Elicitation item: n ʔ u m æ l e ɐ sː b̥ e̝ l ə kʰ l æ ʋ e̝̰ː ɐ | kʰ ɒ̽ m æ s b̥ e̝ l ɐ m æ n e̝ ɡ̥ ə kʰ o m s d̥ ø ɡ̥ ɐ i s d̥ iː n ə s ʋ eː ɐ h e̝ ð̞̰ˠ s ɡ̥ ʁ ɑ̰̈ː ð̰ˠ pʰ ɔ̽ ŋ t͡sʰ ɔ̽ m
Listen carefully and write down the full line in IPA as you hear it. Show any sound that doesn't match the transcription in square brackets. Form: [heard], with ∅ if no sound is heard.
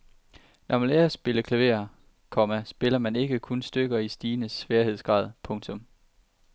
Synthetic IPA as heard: n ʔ [ɒ] m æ l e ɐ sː b̥ e̝ l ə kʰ l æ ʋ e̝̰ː ɐ | kʰ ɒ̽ m æ s b̥ e̝ l ɐ m æ n e̝ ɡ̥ ə kʰ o [n] s d̥ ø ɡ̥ ɐ i s d̥ iː n ə s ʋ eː ɐ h e̝ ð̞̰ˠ s ɡ̥ ʁ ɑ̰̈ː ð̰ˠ pʰ ɔ̽ ŋ t͡sʰ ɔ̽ m